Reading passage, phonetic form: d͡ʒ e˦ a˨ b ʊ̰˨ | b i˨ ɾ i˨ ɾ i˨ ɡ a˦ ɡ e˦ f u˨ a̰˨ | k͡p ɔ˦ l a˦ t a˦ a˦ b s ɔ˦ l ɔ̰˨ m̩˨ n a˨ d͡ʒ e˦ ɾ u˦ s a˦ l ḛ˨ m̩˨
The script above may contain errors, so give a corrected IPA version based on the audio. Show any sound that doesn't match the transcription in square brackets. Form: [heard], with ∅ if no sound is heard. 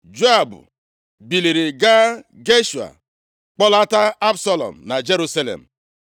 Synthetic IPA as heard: d͡ʒ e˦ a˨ b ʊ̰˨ | b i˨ [l] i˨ ɾ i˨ ɡ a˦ ɡ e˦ [ʃ] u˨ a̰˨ | k͡p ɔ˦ l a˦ t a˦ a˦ b s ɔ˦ l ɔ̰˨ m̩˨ n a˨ d͡ʒ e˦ ɾ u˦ s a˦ l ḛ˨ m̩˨

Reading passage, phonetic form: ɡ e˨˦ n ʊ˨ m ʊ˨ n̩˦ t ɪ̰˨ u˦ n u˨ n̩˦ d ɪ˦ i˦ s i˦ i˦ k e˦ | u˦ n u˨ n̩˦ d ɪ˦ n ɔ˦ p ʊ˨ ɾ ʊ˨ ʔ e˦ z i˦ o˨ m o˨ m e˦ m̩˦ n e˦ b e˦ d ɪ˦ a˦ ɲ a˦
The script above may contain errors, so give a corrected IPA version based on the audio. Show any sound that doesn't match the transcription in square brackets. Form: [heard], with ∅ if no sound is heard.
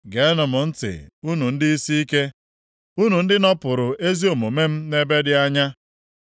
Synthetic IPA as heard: ɡ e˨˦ n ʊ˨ m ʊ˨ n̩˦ t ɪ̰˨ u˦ n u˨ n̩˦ d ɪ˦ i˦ s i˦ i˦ k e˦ | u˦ n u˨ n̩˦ d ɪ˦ n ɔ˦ p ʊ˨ ɾ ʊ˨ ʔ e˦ z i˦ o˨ m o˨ m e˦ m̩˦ n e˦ b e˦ d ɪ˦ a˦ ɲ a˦

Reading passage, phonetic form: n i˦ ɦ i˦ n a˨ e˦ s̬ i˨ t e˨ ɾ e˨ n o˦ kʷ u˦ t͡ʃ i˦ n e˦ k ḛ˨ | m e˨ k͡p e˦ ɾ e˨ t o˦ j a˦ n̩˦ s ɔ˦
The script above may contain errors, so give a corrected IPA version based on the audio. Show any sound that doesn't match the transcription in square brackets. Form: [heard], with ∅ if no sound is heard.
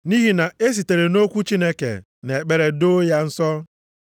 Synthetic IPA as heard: n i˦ ɦ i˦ n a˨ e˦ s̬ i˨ t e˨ ɾ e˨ n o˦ kʷ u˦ t͡ʃ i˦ n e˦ k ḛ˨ | [n] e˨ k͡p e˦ ɾ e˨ [d] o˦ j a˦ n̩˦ s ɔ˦

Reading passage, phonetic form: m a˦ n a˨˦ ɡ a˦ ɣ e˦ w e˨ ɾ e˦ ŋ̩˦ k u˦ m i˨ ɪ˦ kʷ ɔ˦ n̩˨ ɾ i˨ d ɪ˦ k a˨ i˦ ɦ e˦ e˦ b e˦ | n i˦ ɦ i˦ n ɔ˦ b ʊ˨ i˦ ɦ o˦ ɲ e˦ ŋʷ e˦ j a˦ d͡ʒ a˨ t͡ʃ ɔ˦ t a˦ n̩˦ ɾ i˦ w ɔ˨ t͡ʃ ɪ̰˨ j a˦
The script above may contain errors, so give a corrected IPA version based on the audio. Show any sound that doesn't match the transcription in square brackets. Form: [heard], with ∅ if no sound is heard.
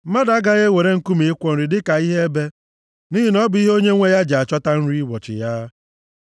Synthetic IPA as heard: m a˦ [d] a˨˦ ɡ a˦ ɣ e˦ w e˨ ɾ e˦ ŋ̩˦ k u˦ m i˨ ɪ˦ kʷ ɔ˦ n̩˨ ɾ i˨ d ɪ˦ k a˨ i˦ ɦ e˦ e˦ b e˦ | n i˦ ɦ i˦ n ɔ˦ b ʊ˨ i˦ ɦ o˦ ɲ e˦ ŋʷ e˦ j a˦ d͡ʒ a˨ t͡ʃ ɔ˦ t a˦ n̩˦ ɾ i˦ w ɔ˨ t͡ʃ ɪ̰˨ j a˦

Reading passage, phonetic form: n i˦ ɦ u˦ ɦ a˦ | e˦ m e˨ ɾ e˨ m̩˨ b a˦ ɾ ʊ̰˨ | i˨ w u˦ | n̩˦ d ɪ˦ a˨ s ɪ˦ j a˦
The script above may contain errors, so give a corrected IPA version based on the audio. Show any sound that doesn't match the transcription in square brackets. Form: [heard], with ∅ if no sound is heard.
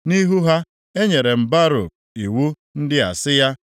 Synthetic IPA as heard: n i˦ ɦ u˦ ɦ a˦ | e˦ [ɲ] e˨ ɾ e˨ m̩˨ b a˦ ɾ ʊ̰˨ | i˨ w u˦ | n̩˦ d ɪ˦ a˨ s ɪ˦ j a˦

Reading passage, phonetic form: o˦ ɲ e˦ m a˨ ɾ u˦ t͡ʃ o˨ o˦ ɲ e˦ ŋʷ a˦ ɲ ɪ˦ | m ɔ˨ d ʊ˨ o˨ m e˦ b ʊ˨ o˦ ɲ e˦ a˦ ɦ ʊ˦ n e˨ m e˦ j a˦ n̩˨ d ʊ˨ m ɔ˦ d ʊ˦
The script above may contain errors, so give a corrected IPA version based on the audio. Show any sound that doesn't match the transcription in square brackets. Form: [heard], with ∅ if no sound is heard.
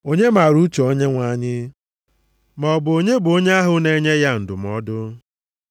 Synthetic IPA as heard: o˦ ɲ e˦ m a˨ ɾ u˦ t͡ʃ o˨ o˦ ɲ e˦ ŋʷ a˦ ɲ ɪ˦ | m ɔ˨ [b] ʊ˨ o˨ [ɲ] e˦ b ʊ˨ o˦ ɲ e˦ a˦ ɦ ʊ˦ n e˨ [ɲ] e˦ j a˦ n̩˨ d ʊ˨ m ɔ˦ d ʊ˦

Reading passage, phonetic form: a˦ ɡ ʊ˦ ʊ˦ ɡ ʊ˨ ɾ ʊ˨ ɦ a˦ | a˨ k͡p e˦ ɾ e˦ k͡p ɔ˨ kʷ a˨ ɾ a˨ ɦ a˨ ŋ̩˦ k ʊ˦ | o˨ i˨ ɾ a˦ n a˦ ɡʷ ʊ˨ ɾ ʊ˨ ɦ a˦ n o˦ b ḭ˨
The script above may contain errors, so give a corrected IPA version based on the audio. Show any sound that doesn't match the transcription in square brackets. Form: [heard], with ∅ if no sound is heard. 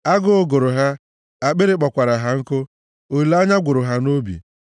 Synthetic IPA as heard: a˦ ɡ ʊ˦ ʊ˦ ɡ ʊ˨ ɾ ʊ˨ ɦ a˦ | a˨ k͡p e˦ ɾ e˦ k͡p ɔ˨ kʷ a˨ ɾ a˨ ɦ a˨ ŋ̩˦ k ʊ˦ | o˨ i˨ [l] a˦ [ɲ] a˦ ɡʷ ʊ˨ ɾ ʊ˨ ɦ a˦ n o˦ b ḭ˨

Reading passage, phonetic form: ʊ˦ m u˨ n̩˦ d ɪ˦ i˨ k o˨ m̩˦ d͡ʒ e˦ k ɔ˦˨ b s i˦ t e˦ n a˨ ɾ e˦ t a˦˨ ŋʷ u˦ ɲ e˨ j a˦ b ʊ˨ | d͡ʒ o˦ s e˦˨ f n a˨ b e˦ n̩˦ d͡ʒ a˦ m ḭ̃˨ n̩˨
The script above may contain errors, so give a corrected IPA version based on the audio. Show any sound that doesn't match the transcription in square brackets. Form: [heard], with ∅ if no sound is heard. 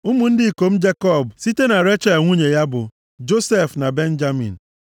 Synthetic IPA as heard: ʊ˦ m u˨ n̩˦ d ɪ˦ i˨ k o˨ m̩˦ d͡ʒ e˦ k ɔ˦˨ b s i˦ t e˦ n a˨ ɾ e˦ [t͡ʃ] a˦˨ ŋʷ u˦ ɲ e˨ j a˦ b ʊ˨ | d͡ʒ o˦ s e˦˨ f n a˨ b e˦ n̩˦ d͡ʒ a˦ m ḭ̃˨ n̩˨

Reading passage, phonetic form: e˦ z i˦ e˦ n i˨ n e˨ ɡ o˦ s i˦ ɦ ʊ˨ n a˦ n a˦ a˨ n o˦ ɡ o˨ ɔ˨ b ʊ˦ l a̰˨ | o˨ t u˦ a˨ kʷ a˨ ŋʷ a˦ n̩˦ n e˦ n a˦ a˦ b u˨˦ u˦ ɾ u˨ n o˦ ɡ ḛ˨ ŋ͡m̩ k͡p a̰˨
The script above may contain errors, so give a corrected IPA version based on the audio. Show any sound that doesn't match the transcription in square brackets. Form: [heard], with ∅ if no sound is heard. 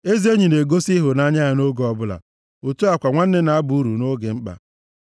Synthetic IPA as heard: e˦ z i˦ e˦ [ɲ] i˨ n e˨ ɡ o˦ s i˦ ɦ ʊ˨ n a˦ [ɲ] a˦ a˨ n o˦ ɡ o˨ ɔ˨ b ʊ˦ l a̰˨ | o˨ t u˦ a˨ kʷ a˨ ŋʷ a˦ n̩˦ n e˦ n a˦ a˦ b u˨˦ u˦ ɾ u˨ n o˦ ɡ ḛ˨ ŋ͡m̩ k͡p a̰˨

